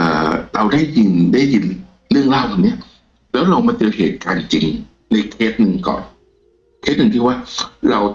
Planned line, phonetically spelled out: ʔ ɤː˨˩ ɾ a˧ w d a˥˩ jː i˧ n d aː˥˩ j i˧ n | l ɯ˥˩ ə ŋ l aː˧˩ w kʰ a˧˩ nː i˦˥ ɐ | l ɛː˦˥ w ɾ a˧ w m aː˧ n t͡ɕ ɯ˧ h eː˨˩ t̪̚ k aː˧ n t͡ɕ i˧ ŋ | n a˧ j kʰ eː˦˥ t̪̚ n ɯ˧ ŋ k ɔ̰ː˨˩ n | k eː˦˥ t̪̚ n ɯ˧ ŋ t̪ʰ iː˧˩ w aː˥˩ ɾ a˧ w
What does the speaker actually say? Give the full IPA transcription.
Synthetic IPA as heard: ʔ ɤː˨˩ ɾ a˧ w d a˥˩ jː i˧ n d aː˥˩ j i˧ n | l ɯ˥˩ ə ŋ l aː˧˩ w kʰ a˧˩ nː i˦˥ ɐ | l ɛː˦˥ w ɾ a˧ w m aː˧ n t͡ɕ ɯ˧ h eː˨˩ t̪̚ k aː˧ n t͡ɕ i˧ ŋ | n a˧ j kʰ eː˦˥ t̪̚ n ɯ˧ ŋ k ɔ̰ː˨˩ n | kʰ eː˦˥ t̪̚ n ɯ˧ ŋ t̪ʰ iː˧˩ w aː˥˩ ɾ a˧ w